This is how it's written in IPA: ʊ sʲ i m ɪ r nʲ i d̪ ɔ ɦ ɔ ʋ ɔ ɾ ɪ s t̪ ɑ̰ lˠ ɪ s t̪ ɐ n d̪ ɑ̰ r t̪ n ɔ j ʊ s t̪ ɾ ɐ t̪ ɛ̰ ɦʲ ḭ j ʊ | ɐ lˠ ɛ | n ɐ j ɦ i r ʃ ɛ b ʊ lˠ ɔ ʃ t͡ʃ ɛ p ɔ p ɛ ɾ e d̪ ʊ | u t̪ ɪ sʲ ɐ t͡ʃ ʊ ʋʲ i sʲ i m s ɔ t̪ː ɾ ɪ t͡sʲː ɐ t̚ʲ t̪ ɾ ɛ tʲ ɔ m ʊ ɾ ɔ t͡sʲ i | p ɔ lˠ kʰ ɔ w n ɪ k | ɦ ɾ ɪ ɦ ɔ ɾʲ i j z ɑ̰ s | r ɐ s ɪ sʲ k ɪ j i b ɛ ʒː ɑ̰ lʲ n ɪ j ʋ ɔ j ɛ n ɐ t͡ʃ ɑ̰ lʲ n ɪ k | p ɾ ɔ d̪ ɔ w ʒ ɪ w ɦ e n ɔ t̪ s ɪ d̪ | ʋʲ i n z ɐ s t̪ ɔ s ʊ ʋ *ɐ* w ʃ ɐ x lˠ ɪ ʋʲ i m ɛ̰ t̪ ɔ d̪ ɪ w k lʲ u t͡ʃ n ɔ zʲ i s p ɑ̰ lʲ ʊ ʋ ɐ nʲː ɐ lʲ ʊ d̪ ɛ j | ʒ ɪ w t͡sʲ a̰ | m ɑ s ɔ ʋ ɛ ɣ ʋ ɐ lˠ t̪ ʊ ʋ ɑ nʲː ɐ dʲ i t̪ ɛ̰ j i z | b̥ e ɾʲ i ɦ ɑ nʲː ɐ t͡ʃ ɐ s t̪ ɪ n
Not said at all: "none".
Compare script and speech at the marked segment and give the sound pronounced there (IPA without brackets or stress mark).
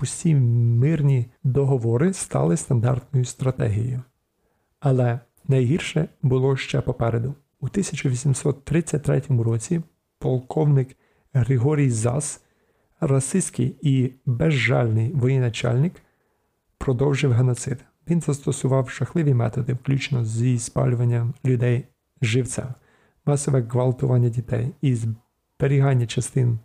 ɑ